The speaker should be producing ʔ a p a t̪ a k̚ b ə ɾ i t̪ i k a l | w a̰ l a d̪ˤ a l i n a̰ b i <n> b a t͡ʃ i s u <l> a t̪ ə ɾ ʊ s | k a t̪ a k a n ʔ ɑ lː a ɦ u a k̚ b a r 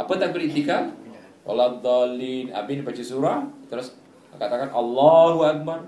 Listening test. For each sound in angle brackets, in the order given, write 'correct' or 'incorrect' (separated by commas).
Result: correct, incorrect